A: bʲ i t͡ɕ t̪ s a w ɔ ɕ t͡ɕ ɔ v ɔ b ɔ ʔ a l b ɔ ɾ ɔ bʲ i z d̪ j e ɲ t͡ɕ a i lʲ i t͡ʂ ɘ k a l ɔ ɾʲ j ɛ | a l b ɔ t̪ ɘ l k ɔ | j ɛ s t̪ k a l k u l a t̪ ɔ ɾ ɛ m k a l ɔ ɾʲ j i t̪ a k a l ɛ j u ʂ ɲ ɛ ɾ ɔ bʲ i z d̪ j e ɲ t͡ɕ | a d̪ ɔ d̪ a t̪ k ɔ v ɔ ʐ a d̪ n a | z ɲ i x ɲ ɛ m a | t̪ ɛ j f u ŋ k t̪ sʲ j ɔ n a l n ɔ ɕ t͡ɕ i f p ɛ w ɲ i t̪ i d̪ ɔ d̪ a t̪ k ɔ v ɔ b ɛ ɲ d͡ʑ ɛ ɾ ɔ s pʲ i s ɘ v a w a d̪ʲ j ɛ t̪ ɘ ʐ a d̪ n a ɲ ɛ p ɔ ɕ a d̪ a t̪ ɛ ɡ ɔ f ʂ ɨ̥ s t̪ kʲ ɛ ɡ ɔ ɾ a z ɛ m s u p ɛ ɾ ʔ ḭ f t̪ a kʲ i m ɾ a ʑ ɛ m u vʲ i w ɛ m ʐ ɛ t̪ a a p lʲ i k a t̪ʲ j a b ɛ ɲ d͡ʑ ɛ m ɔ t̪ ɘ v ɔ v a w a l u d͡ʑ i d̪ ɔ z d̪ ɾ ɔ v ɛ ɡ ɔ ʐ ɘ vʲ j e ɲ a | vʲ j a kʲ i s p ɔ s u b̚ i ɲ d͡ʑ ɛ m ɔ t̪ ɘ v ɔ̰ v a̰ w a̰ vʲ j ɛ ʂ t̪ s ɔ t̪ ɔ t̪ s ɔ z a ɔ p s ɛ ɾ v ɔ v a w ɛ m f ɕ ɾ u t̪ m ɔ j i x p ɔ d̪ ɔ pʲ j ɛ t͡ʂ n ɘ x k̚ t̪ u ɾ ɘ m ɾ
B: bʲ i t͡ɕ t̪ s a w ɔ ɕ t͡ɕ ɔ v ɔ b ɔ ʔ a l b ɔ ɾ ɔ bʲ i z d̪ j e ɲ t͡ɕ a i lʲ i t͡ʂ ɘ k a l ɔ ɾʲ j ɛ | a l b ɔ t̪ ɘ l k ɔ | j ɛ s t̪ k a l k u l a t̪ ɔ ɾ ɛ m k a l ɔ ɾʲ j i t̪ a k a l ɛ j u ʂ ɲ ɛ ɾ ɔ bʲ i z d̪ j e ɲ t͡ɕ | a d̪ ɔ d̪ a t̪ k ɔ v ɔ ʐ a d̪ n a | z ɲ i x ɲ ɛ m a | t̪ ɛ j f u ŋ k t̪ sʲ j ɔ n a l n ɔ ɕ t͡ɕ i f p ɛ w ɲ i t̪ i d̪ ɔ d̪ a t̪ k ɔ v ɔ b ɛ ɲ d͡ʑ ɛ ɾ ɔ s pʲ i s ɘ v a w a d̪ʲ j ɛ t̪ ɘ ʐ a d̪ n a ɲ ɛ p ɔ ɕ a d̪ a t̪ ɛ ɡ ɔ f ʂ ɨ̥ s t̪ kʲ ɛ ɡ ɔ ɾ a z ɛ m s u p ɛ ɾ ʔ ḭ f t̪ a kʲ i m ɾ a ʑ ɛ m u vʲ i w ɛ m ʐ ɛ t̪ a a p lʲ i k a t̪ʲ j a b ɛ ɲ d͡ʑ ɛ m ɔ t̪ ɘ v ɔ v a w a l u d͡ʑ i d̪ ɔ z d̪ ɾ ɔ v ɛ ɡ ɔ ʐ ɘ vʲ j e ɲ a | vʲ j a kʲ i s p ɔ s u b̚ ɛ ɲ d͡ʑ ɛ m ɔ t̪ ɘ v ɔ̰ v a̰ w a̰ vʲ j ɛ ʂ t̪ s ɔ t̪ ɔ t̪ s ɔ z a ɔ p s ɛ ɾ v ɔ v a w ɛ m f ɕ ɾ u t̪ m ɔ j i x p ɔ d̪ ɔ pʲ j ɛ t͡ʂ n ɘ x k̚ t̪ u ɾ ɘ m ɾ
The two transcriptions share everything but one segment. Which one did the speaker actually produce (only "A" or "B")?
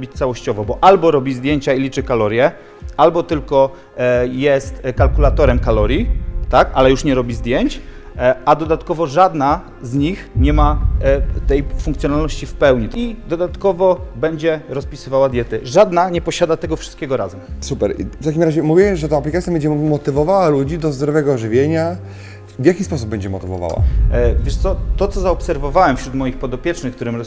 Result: B